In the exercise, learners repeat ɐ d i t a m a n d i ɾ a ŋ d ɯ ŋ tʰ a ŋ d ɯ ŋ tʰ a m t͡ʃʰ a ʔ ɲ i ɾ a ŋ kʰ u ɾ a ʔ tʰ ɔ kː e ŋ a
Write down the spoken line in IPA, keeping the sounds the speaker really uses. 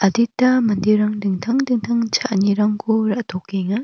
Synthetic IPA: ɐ d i t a m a n d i ɾ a ŋ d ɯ ŋ tʰ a ŋ d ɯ ŋ tʰ a ŋ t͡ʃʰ a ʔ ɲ i ɾ a ŋ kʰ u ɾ a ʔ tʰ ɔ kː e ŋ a